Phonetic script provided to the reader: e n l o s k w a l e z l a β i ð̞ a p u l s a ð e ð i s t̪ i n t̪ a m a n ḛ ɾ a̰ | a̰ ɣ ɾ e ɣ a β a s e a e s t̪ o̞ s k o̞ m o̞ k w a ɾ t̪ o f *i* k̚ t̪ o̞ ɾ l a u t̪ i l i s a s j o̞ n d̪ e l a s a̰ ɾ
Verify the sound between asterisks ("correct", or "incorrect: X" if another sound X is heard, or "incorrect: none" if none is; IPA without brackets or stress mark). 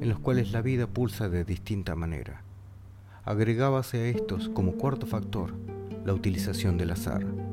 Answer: incorrect: a